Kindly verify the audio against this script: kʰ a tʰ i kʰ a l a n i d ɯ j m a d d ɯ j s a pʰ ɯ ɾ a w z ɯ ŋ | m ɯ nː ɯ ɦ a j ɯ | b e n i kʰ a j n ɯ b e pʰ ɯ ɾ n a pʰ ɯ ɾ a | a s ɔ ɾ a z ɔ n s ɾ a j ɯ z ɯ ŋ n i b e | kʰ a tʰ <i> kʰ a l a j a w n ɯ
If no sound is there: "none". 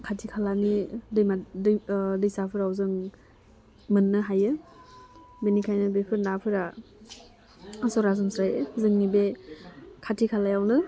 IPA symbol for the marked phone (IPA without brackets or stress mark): i